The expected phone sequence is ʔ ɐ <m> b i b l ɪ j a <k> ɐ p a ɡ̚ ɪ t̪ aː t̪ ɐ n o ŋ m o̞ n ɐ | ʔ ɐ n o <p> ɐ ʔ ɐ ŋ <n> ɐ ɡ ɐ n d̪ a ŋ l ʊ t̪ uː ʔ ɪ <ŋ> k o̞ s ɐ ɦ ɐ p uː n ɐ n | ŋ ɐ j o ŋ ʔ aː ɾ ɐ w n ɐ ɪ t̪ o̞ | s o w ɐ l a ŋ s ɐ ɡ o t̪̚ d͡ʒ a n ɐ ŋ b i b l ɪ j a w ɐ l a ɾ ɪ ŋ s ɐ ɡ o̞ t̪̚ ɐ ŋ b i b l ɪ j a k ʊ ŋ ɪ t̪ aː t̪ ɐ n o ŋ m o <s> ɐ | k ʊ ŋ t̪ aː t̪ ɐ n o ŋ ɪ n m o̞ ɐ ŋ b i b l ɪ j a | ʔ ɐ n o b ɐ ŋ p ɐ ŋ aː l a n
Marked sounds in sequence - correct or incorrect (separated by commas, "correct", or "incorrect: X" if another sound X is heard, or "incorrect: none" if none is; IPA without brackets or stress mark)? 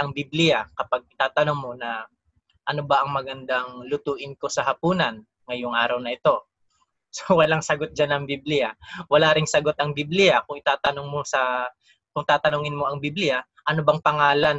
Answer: incorrect: ŋ, correct, incorrect: b, incorrect: m, incorrect: n, correct